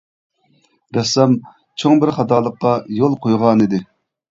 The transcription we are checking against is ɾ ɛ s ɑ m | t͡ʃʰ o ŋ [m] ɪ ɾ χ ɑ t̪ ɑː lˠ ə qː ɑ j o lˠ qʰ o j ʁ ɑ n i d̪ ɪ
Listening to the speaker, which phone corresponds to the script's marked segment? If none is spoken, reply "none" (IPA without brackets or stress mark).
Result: b